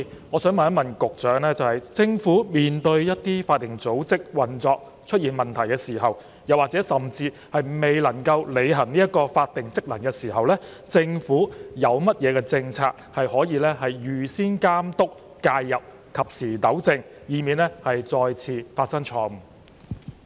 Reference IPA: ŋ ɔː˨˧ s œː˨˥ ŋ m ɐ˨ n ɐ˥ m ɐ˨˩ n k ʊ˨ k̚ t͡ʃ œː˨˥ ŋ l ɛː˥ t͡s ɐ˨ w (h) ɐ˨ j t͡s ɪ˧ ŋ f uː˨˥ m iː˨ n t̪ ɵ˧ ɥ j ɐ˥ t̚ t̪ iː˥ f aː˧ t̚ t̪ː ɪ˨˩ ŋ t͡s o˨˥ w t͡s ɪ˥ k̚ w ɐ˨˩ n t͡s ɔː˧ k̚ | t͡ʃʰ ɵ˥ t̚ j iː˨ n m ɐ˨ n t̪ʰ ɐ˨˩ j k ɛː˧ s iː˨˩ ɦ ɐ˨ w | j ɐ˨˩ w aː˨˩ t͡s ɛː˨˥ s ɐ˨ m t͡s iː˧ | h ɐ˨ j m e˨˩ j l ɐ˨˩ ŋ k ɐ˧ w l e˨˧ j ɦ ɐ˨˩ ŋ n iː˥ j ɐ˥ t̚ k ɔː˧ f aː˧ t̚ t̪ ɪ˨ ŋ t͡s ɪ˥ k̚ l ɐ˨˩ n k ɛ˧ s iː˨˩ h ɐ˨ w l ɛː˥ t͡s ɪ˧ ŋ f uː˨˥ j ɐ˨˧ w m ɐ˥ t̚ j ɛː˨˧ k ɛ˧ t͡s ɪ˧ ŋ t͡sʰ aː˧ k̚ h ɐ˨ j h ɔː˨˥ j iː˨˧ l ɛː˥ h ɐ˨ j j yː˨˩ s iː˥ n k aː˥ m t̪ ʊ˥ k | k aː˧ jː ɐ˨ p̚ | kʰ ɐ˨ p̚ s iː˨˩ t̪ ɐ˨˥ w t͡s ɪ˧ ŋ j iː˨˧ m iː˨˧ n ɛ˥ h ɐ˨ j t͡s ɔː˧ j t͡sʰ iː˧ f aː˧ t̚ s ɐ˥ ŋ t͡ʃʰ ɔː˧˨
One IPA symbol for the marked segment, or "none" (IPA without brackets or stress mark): h